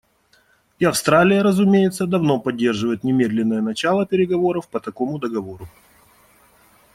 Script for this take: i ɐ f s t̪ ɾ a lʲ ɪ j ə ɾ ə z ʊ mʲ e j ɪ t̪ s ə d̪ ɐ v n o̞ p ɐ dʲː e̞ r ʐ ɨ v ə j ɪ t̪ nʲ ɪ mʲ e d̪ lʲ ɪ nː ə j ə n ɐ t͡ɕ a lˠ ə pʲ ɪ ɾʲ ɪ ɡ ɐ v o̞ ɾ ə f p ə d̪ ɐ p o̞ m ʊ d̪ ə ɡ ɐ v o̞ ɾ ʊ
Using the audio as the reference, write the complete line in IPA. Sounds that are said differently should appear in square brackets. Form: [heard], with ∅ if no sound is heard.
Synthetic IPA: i ɐ f s t̪ ɾ a lʲ ɪ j ə ɾ ə z ʊ mʲ e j ɪ t̪ s ə d̪ ɐ v n o̞ p ɐ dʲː e̞ r ʐ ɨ v ə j ɪ t̪ nʲ ɪ mʲ e d̪ lʲ ɪ nː ə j ə n ɐ t͡ɕ a lˠ ə pʲ ɪ ɾʲ ɪ ɡ ɐ v o̞ ɾ ə f p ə [t̪] ɐ [k] o̞ m ʊ d̪ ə ɡ ɐ v o̞ ɾ ʊ